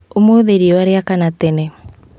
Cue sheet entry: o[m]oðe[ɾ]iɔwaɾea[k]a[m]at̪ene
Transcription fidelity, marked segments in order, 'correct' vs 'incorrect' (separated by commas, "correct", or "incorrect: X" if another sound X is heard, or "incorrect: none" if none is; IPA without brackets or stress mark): correct, correct, correct, incorrect: n